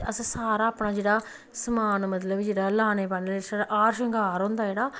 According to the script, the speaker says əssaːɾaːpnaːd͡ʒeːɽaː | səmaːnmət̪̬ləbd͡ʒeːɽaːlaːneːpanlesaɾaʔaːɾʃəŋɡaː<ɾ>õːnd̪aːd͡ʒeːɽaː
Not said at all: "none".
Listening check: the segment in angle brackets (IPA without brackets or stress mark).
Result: ɾ